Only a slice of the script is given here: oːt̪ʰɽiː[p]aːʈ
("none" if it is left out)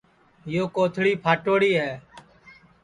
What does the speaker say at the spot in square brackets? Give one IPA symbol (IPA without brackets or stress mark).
pʰ